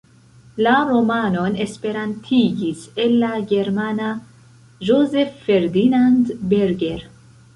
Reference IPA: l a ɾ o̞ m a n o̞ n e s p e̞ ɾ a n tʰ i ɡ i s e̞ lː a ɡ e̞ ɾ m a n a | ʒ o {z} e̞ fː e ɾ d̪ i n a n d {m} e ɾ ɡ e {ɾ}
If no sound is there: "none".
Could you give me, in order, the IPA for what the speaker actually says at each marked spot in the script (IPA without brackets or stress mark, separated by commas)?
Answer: z, b, ɾ